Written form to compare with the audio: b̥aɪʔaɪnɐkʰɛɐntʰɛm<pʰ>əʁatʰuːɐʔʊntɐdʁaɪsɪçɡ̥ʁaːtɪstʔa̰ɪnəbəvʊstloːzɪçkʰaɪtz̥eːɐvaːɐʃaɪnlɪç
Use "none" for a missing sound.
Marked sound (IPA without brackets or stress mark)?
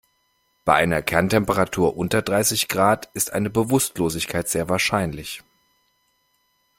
p